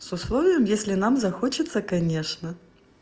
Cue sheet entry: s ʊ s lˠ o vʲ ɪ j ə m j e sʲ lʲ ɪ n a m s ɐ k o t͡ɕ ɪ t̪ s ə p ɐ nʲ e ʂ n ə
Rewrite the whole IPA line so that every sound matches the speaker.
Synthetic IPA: s ʊ s lˠ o vʲ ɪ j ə m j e sʲ lʲ ɪ n a m z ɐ x o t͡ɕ ɪ t̪ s ə k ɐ nʲ e ʂ n ə